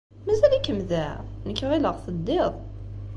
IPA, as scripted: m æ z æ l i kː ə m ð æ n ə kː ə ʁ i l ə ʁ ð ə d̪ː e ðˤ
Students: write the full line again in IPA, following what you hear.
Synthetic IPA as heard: m æ z æ l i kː ə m ð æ n ə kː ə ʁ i l ə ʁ θ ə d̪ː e ðˤ